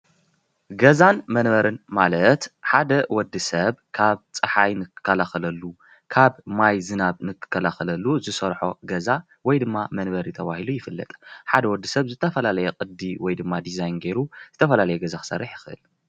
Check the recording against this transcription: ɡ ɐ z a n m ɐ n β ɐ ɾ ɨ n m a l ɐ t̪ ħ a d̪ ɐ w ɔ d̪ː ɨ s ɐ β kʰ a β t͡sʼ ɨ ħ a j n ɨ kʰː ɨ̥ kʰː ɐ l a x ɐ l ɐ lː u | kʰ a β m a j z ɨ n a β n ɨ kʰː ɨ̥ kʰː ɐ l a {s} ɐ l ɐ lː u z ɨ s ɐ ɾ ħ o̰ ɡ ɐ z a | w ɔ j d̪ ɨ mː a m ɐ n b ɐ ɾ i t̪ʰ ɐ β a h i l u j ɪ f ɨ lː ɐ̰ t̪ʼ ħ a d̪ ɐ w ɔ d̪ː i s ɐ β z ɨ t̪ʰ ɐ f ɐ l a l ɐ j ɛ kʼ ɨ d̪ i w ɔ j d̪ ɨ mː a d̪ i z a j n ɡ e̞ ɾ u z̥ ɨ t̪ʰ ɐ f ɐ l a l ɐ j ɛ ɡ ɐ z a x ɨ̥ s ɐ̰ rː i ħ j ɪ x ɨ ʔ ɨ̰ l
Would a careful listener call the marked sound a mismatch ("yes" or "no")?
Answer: yes